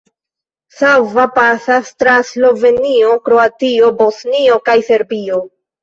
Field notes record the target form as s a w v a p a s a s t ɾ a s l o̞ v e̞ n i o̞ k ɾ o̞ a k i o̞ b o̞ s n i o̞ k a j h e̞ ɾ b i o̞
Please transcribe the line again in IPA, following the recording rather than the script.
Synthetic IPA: s a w v a p a s a s t ɾ a s l o̞ v e̞ n i o̞ k ɾ o̞ a t i o̞ b o̞ s n i o̞ k a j s e̞ ɾ b i o̞